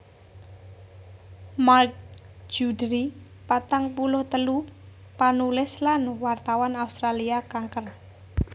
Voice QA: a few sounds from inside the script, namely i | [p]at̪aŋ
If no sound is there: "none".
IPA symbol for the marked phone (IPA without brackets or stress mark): p